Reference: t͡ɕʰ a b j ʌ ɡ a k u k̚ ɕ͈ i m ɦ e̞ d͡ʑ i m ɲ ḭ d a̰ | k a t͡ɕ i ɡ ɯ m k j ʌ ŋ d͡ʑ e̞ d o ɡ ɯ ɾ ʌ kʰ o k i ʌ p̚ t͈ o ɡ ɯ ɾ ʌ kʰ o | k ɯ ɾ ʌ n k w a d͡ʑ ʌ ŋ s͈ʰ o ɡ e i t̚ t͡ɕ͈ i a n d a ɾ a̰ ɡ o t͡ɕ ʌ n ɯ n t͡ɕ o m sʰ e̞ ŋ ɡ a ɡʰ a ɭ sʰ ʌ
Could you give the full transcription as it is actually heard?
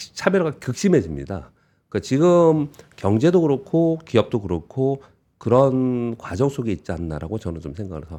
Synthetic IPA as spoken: t͡ɕʰ a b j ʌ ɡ a k ɯ k̚ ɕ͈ i m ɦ e̞ d͡ʑ i m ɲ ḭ d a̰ | k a t͡ɕ i ɡ ɯ m k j ʌ ŋ d͡ʑ e̞ d o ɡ ɯ ɾ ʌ kʰ o k i ʌ p̚ t͈ o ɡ ɯ ɾ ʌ kʰ o | k ɯ ɾ ʌ n k w a d͡ʑ ʌ ŋ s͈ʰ o ɡ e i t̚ t͡ɕ͈ i a n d a ɾ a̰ ɡ o t͡ɕ ʌ n ɯ n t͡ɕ o m sʰ e̞ ŋ ɡ a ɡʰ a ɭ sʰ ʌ